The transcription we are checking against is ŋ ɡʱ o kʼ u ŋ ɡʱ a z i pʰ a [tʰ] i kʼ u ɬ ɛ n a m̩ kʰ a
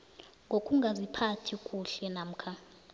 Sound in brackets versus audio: correct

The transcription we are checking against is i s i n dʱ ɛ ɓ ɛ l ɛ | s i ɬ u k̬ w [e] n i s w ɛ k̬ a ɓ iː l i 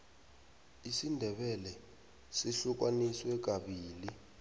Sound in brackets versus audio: incorrect: a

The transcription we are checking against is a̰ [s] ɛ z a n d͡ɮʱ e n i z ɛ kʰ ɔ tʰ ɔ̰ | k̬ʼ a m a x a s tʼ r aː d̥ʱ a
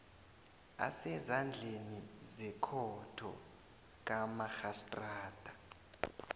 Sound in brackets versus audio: correct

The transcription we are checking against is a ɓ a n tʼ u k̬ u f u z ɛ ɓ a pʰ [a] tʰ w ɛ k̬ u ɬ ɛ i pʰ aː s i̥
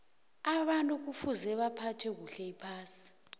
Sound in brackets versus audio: correct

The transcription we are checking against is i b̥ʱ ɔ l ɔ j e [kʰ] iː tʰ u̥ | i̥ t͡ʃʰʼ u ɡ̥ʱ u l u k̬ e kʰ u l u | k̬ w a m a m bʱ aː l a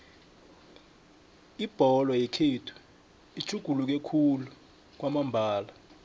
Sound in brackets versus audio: correct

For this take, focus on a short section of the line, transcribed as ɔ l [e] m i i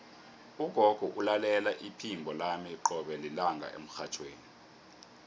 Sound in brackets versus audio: incorrect: a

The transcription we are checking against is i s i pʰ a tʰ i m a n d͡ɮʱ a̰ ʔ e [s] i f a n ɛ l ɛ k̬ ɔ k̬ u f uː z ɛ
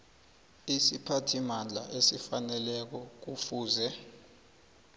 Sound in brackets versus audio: correct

